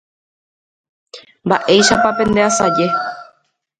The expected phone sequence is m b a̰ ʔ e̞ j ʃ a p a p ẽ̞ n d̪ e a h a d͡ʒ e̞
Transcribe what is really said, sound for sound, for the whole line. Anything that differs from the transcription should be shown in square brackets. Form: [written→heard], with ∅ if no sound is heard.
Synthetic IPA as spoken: m b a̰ ʔ e̞ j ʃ a p a p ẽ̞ n d̪ e a [h→s] a d͡ʒ e̞